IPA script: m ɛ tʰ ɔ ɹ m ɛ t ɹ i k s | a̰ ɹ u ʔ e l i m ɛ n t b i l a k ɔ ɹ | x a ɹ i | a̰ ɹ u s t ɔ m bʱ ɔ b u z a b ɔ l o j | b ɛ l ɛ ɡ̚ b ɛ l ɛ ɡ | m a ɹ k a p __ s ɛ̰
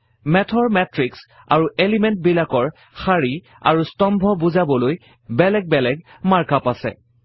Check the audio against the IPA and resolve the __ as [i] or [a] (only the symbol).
a